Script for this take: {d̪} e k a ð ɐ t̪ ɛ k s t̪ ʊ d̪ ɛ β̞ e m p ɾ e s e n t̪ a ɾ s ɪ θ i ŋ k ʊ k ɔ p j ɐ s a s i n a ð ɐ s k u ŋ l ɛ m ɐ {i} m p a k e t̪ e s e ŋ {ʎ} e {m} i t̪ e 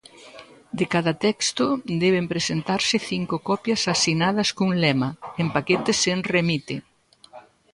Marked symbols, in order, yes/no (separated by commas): yes, no, no, yes